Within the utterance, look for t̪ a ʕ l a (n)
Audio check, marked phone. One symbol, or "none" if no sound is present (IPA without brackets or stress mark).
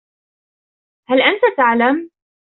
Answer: m